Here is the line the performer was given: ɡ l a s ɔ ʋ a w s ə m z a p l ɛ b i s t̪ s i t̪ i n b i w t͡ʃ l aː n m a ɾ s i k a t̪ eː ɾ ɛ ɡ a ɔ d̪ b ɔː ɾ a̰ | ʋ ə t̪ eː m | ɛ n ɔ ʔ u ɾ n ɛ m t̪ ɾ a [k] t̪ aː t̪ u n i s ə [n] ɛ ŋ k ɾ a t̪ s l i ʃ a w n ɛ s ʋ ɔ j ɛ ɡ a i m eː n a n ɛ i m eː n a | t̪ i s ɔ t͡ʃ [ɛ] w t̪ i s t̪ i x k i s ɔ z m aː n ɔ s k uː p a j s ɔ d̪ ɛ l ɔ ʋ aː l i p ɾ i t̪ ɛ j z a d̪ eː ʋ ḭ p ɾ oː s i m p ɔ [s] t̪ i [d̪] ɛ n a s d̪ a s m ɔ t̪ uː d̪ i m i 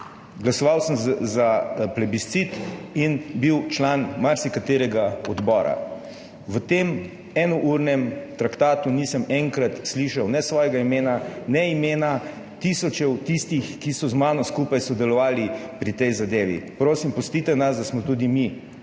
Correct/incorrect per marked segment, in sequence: correct, incorrect: m, correct, correct, incorrect: t̪

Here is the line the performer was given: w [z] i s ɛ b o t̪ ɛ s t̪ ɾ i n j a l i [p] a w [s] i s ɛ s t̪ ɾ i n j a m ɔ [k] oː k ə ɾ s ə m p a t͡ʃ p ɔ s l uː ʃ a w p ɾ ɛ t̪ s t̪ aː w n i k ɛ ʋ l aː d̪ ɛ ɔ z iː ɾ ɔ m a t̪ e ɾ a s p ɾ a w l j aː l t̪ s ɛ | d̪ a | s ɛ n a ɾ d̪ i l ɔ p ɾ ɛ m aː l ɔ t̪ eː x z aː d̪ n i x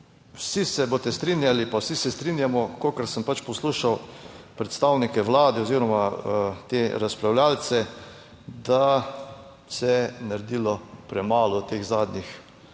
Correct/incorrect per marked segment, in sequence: incorrect: s, correct, correct, correct

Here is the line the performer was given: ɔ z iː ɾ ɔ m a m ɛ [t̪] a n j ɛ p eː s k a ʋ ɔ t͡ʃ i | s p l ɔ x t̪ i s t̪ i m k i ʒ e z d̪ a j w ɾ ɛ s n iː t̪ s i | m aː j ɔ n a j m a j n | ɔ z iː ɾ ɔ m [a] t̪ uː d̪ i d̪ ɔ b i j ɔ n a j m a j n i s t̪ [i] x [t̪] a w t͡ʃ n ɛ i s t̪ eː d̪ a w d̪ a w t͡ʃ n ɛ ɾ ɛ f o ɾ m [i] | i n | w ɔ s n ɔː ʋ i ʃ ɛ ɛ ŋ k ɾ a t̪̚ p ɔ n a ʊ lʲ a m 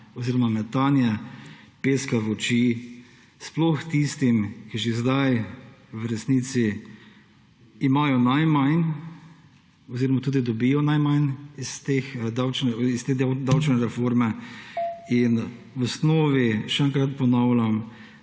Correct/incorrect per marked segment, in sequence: correct, correct, incorrect: e, incorrect: d̪, incorrect: ɛ

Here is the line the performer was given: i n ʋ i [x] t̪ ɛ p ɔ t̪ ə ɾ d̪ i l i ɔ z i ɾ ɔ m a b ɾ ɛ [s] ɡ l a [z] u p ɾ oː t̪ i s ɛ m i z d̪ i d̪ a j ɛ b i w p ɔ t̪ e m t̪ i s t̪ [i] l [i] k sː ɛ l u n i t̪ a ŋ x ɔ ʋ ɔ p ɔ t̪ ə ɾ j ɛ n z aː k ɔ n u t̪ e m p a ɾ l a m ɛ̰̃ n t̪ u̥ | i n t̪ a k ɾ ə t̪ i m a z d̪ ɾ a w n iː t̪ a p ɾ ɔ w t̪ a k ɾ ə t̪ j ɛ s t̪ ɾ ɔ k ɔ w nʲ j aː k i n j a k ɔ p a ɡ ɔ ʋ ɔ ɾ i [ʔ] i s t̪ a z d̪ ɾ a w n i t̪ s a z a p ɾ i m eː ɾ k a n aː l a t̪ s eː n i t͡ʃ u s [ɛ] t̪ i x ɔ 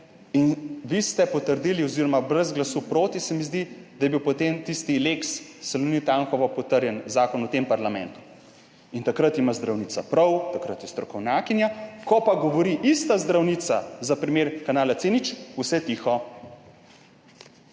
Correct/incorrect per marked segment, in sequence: incorrect: s, incorrect: z, incorrect: s, correct, incorrect: e, correct, correct

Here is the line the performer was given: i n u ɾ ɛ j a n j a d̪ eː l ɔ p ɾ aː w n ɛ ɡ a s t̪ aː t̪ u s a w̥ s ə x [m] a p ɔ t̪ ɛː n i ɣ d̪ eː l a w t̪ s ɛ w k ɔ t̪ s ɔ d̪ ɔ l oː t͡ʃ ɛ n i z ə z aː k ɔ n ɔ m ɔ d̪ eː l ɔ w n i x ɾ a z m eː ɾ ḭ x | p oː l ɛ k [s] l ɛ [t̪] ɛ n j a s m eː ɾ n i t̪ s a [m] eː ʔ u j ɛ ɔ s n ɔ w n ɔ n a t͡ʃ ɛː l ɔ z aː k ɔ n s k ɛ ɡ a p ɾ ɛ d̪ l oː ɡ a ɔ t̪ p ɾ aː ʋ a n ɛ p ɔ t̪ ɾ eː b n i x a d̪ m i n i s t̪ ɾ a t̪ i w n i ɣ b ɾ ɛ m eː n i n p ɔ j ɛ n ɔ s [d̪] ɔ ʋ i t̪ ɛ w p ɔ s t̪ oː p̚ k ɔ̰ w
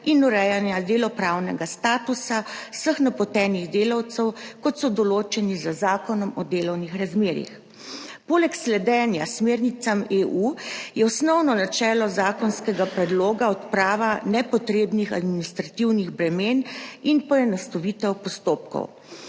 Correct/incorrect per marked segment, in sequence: incorrect: n, correct, incorrect: d̪, correct, incorrect: t̪

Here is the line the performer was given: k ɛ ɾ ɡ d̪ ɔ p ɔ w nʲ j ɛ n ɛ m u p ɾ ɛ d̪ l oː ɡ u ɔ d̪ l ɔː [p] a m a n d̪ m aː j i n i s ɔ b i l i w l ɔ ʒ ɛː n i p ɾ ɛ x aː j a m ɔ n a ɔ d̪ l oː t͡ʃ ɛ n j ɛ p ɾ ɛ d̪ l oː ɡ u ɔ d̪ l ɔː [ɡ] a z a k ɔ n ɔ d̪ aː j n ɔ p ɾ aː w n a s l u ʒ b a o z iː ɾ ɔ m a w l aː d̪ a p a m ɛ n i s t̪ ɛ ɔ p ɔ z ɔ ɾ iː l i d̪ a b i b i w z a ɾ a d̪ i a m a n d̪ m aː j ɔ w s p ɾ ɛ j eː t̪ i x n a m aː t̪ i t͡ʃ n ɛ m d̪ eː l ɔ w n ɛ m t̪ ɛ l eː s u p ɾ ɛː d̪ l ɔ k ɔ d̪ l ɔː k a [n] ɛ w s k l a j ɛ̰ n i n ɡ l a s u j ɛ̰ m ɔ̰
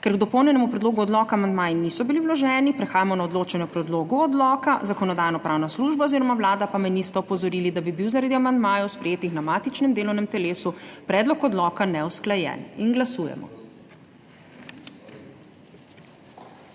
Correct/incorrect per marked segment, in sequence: incorrect: k, incorrect: k, correct

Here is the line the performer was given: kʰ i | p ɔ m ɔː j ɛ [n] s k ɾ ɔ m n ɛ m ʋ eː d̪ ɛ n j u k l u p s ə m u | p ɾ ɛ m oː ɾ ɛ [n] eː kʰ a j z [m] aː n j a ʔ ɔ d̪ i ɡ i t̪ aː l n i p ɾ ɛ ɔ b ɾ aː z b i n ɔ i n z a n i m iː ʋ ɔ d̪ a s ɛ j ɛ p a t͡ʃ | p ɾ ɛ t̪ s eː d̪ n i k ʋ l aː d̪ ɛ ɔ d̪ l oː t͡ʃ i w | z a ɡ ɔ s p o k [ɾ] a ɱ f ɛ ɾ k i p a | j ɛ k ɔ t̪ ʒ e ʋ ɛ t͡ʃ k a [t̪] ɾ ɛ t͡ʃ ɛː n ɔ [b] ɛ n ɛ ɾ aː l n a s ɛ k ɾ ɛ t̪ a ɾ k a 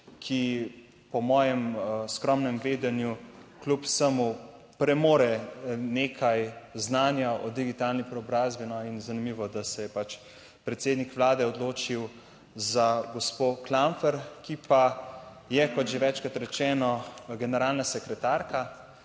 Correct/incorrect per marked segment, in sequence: incorrect: m, correct, incorrect: n, incorrect: l, correct, incorrect: ɡ

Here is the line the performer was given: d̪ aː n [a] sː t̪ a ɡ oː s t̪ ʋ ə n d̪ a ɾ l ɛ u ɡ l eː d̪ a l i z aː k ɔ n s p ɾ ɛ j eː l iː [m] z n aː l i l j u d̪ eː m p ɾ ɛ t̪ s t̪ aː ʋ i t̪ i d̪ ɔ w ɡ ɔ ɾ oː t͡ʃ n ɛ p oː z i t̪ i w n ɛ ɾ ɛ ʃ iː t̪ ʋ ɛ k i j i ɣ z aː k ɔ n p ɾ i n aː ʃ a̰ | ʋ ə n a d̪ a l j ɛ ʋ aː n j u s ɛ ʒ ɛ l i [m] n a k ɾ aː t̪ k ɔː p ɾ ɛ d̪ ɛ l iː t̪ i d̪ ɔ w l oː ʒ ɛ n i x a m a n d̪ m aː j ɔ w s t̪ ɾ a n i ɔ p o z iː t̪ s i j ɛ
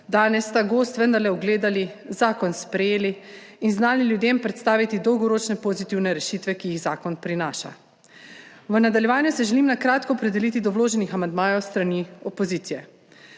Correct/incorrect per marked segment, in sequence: incorrect: ɛ, incorrect: n, correct

